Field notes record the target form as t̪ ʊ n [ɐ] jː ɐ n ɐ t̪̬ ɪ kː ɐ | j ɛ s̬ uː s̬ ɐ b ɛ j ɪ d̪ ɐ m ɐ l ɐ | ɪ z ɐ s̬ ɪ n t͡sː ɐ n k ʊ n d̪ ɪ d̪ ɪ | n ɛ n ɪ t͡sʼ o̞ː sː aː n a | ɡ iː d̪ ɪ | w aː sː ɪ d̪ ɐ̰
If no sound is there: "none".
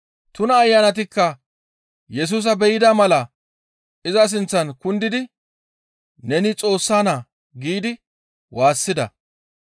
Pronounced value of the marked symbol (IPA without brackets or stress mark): ɐː